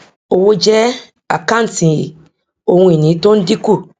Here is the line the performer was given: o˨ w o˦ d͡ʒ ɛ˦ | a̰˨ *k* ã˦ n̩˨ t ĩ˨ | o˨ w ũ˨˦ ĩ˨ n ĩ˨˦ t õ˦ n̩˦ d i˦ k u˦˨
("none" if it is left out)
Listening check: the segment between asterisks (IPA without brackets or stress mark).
k